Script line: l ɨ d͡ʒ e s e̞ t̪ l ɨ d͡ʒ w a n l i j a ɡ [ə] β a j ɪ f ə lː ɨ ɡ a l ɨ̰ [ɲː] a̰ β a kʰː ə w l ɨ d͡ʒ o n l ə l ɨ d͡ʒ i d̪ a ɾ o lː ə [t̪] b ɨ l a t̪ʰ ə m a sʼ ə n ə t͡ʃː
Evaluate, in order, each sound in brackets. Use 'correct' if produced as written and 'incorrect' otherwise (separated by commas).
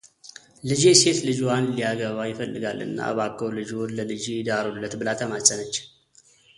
correct, incorrect, correct